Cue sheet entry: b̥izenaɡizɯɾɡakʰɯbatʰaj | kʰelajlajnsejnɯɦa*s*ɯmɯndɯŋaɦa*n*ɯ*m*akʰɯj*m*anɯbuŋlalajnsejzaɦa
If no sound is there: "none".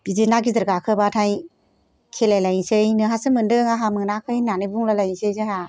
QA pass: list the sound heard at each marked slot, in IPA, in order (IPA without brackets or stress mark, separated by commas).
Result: s, m, n, n